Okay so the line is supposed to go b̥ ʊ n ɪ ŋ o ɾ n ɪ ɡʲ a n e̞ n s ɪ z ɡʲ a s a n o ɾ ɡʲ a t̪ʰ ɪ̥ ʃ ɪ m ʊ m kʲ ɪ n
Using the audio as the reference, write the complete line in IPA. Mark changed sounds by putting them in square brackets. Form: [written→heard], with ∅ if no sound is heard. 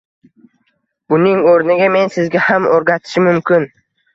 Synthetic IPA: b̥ ʊ n ɪ ŋ o ɾ n ɪ ɡʲ a [n→m] e̞ n s ɪ z ɡʲ a [s→h] a [n→m] o ɾ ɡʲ a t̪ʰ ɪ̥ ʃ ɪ m ʊ m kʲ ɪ n